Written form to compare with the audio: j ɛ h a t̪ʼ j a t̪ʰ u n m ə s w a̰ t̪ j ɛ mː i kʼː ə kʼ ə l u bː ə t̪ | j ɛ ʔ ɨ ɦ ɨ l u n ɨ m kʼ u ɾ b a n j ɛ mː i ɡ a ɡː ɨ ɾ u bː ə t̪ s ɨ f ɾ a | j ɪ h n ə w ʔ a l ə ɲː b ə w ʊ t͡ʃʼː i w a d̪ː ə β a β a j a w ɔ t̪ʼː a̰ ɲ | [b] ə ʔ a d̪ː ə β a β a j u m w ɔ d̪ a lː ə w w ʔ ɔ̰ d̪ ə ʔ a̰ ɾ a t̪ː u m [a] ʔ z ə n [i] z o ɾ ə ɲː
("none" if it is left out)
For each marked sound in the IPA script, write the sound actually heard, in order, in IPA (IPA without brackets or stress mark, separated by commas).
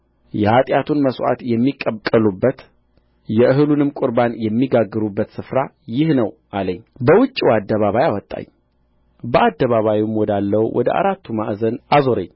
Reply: b, a, a